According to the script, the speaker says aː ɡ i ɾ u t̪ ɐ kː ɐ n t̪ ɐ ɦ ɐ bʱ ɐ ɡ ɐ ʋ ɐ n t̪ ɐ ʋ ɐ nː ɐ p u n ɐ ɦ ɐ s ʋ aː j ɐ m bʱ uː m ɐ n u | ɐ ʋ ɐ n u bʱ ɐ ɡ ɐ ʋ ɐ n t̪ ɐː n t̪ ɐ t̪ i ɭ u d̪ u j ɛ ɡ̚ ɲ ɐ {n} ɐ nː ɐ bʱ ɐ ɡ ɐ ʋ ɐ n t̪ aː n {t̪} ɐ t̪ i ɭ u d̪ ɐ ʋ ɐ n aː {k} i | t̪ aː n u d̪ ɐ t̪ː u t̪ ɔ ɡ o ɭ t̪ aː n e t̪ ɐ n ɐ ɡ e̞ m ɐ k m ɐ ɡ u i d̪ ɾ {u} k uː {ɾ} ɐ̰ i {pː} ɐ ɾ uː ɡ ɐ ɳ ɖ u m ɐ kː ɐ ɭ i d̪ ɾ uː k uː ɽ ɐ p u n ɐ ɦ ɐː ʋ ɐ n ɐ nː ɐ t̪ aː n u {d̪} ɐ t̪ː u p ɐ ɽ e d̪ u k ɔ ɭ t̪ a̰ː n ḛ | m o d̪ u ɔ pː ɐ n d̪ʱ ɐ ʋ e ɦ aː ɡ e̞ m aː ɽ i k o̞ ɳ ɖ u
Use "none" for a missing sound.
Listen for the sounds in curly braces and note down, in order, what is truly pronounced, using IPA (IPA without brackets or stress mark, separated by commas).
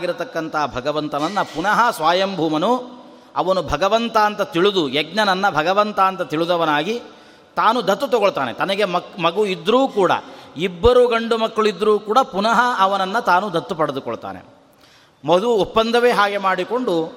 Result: n, t̪, ɡ, uː, ɽ, bː, d̪